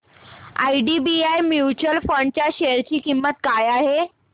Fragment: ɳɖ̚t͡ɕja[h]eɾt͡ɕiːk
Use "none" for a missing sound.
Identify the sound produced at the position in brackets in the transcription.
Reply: ɕ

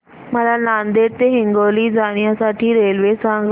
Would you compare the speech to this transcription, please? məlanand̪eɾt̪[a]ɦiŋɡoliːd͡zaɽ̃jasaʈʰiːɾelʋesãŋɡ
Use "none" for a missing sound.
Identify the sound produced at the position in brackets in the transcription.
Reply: e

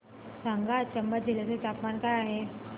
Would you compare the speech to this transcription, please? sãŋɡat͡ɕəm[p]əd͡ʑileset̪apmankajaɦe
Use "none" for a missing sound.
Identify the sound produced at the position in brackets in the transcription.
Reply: b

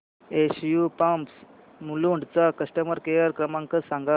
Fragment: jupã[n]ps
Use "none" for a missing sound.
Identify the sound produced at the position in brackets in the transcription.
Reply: m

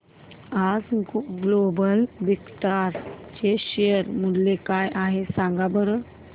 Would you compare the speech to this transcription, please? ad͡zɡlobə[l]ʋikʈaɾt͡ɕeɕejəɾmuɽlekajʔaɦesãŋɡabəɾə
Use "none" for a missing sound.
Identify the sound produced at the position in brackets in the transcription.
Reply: l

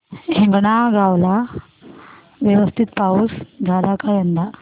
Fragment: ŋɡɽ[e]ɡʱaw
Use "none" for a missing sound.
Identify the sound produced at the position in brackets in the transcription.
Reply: a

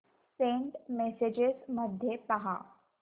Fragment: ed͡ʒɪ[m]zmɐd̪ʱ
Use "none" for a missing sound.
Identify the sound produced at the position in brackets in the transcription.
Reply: none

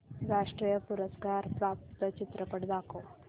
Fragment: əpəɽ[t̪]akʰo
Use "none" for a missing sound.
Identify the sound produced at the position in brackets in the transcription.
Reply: d̪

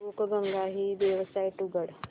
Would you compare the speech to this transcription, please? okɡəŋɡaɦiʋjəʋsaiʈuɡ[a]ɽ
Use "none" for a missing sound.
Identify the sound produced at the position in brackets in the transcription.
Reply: ə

